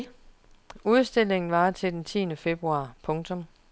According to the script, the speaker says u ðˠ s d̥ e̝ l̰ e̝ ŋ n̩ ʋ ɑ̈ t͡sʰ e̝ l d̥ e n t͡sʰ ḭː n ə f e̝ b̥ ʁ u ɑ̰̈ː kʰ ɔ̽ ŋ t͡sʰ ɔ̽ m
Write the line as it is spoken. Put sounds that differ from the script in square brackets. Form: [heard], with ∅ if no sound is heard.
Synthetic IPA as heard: u ðˠ s d̥ e̝ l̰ e̝ ŋ n̩ ʋ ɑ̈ t͡sʰ e̝ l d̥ e n t͡sʰ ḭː n ə f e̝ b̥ ʁ u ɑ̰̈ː [pʰ] ɔ̽ ŋ t͡sʰ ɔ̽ m